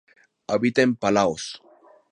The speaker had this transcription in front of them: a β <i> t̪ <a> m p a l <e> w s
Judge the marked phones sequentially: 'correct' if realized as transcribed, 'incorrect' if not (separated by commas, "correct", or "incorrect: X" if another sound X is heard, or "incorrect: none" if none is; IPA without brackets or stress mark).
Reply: correct, incorrect: e, incorrect: a